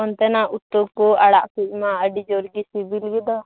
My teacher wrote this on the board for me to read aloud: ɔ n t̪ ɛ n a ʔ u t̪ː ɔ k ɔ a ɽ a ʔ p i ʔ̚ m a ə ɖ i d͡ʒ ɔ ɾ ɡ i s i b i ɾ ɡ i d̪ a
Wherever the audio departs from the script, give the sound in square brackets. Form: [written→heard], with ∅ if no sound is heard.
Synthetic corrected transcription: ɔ n t̪ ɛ n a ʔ u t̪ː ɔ k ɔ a ɽ a ʔ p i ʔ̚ m a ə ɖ i d͡ʒ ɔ ɾ ɡ i s i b i [ɾ→l] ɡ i d̪ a